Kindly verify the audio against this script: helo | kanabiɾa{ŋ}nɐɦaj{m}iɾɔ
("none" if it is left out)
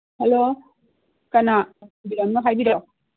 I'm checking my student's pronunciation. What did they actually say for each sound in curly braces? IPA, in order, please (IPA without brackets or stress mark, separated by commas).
m, b